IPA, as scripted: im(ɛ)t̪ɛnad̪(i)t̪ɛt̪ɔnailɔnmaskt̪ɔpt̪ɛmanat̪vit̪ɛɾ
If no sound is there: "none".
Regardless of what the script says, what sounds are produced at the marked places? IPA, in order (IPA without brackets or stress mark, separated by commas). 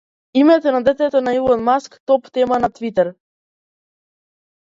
ɛ, ɛ